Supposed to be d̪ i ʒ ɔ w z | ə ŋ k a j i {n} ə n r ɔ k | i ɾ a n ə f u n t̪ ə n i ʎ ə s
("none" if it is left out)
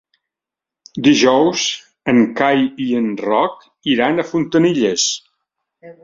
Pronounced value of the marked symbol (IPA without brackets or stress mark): none